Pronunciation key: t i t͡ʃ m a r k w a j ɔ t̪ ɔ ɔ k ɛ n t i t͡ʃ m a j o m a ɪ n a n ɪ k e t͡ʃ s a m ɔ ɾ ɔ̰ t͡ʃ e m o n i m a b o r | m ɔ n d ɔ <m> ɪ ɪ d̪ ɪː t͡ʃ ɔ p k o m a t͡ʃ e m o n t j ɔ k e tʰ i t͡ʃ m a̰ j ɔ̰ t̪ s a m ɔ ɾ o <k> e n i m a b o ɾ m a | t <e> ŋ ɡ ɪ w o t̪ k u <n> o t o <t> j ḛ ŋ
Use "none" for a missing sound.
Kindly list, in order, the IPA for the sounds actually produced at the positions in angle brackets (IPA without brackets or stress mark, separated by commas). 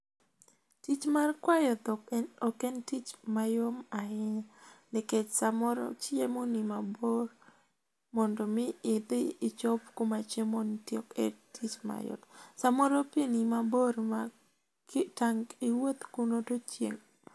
m, p, a, n, t͡ʃ